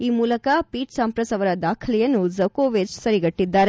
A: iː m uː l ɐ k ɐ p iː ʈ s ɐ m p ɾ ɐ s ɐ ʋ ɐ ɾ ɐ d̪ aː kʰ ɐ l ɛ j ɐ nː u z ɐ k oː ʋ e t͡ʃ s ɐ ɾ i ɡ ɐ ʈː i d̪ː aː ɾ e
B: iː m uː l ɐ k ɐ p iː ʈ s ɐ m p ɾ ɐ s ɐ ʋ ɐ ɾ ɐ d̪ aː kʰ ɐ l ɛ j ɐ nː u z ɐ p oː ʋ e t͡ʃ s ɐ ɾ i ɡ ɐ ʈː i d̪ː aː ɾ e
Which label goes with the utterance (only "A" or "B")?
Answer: A